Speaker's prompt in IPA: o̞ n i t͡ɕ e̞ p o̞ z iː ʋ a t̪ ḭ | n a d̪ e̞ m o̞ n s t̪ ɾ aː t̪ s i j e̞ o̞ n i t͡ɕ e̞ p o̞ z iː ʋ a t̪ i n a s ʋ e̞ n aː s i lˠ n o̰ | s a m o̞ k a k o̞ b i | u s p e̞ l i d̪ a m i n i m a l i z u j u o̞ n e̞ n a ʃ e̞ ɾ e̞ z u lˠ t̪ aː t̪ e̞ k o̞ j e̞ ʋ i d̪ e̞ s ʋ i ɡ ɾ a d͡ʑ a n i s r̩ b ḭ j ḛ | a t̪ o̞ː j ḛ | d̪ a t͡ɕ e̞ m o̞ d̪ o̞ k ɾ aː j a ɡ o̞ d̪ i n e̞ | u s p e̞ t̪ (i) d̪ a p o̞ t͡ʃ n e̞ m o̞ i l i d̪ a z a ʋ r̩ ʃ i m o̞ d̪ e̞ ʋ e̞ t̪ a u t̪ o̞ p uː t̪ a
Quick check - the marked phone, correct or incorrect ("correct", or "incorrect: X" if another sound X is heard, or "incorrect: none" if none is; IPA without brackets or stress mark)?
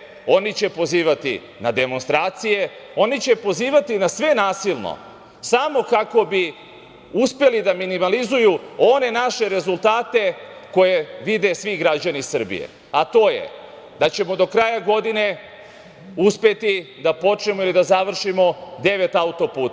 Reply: correct